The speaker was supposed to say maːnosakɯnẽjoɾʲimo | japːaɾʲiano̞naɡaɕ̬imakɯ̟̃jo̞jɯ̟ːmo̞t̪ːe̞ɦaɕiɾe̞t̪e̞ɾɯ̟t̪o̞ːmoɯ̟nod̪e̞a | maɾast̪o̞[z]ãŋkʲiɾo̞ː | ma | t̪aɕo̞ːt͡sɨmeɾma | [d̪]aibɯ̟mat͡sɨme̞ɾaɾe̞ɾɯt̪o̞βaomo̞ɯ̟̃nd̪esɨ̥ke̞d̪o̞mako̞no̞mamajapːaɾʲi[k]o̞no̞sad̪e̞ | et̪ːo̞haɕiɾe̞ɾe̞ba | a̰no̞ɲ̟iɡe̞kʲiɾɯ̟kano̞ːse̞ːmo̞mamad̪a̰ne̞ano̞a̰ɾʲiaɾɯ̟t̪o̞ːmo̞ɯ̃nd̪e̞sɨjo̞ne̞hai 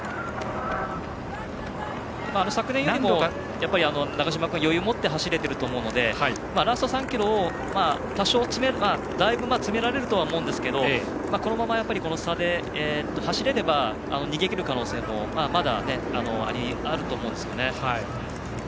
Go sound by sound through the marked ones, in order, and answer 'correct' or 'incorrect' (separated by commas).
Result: incorrect, correct, correct